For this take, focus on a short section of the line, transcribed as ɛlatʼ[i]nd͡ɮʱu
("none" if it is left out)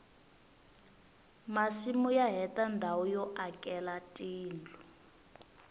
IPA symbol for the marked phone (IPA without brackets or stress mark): iː